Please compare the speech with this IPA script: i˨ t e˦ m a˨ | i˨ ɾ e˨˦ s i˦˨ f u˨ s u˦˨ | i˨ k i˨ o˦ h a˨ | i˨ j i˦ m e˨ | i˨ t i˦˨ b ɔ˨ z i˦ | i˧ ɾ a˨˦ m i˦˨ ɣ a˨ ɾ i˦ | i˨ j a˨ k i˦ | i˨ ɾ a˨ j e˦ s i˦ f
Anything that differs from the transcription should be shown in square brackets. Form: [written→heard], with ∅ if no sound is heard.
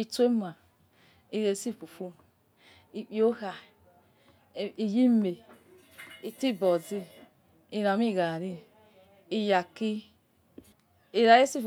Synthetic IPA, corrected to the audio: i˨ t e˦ m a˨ | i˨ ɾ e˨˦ s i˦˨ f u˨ [s→f] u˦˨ | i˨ [k→k͡p] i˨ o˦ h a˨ | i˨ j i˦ m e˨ | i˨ t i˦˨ b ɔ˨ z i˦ | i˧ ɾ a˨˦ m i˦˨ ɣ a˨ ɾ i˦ | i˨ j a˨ k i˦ | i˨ ɾ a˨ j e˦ s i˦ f